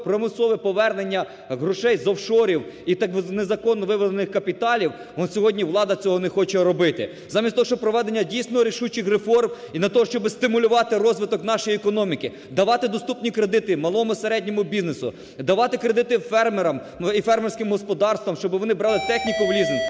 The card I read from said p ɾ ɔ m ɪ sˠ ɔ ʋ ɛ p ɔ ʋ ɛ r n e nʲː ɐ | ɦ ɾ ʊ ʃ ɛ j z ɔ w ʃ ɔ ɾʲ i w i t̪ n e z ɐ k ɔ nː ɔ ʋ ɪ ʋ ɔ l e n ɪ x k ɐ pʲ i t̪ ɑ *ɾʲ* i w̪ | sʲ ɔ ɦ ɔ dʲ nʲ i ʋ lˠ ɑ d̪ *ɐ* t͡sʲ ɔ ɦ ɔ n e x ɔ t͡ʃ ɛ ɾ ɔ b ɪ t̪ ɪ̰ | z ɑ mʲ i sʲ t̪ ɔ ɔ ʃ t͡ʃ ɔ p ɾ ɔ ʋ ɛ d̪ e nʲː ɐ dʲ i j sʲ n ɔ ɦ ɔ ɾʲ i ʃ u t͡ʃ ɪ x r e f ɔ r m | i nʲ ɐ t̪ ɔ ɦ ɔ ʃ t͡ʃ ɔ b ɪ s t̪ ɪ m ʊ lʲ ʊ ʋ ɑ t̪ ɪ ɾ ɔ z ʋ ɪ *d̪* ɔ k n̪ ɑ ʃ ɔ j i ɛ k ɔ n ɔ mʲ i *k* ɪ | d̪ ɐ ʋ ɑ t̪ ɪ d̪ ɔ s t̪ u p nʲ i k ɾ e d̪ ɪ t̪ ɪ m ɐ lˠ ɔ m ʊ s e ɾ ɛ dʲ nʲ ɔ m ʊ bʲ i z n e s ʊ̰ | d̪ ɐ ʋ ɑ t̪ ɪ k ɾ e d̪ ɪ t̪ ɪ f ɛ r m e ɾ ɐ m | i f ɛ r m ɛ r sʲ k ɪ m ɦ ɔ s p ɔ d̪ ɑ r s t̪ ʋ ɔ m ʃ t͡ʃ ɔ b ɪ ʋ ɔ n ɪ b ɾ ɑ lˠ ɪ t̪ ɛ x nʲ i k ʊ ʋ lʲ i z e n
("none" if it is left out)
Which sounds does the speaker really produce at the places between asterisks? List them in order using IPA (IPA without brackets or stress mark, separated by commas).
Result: lʲ, ɐ, t̪, k